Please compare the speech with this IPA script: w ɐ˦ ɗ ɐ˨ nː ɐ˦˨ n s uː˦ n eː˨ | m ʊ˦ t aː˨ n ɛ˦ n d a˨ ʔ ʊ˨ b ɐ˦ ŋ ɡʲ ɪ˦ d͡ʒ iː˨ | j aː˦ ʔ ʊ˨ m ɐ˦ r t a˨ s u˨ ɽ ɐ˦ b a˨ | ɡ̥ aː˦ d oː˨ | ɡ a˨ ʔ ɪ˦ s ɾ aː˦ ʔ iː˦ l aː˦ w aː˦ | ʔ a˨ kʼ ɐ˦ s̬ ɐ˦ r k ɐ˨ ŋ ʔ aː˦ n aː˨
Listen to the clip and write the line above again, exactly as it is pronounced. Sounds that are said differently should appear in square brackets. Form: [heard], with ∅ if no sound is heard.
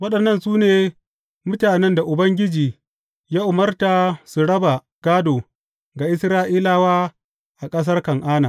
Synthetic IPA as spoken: w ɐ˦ ɗ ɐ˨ nː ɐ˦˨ n s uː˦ n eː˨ | m ʊ˦ t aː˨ n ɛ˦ n d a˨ ʔ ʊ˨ b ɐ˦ ŋ ɡʲ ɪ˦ d͡ʒ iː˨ | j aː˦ ʔ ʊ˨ m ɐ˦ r t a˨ s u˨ ɽ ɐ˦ b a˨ | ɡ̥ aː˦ d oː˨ | ɡ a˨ ʔ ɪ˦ s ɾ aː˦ ʔ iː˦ l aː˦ w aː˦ | ʔ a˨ kʼ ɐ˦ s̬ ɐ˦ r k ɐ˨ ŋ ʔ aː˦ n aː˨